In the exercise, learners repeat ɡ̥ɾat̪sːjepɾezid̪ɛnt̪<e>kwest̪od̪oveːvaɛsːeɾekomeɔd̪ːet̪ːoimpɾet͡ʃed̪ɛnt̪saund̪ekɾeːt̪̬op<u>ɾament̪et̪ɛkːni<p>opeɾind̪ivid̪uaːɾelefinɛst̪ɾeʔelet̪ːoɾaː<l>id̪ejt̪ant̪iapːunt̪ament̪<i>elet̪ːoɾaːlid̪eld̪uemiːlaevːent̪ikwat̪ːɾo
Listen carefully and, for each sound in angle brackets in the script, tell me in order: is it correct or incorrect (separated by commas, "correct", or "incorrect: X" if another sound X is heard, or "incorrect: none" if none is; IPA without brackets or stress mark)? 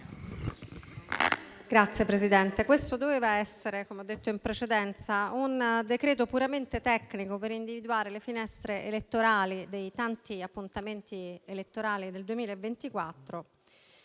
correct, correct, incorrect: k, correct, correct